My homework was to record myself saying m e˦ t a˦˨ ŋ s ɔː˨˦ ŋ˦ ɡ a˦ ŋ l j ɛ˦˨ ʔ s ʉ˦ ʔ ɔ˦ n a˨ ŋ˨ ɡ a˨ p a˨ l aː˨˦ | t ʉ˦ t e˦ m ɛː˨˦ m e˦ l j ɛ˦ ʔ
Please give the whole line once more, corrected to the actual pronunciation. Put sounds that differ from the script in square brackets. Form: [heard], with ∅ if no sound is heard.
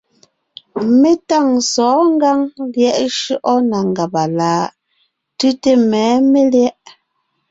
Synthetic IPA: m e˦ t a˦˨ ŋ s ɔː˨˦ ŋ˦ ɡ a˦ ŋ l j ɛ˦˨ ʔ [ʃ] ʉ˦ ʔ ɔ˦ n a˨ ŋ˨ ɡ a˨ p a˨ l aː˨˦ | t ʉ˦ t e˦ m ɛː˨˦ m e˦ l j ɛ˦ ʔ